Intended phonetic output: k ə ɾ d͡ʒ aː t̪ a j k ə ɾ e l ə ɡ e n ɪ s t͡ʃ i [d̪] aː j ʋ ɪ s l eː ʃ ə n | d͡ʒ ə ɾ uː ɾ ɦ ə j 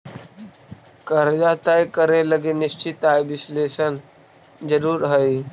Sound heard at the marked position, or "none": t̪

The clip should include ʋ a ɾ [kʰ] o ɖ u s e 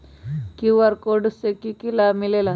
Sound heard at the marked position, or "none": k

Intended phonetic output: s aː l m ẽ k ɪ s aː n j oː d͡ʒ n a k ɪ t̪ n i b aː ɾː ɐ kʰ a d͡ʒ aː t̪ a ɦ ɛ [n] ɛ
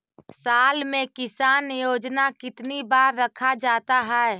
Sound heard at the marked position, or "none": none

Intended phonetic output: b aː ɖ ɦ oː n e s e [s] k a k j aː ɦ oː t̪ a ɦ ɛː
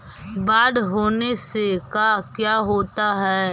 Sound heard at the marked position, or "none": none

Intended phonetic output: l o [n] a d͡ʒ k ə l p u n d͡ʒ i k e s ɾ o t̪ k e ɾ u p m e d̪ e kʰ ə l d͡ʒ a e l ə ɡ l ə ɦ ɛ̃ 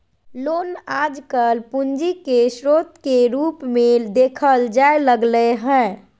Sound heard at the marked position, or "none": n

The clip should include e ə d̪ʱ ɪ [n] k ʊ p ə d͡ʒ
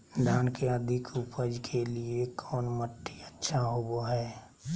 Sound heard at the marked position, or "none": none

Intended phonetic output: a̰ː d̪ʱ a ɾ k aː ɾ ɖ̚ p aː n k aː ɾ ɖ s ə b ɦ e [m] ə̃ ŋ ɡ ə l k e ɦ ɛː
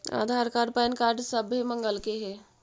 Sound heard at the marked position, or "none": m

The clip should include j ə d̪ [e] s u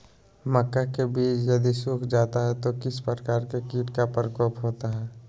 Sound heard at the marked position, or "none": i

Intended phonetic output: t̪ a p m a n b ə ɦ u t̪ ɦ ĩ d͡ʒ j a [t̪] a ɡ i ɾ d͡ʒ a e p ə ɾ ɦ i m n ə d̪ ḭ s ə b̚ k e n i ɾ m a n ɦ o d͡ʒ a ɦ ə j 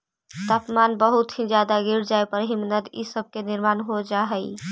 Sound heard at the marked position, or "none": d̪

